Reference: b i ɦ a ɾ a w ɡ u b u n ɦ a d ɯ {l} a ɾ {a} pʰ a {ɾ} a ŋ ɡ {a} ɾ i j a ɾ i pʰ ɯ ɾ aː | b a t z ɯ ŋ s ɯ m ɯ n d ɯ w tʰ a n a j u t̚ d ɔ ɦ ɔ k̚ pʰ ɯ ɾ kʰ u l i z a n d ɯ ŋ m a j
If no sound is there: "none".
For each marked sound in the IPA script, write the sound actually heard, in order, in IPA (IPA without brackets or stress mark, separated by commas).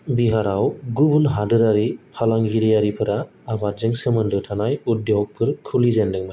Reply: ɾ, i, l, i